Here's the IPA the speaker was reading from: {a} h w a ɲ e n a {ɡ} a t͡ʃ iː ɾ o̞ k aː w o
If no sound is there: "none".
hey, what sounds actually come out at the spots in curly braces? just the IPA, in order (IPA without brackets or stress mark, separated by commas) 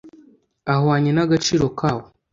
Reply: a, ɡ